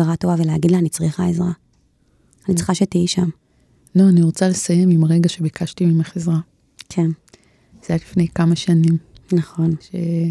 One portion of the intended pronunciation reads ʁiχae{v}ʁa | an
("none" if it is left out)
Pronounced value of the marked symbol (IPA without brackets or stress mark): z